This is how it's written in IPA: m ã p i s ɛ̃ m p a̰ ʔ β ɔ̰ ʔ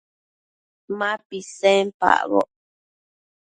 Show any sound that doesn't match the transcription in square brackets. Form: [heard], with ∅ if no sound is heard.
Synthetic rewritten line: m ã p i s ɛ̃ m p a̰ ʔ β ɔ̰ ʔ